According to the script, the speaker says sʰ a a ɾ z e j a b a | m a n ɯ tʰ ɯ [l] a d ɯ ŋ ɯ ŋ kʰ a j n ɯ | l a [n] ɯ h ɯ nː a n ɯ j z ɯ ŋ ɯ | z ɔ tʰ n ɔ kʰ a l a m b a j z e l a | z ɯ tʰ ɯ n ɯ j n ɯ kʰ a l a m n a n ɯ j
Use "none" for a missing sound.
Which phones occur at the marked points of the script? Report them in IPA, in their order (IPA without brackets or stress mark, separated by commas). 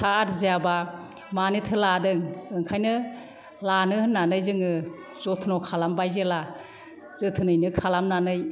l, n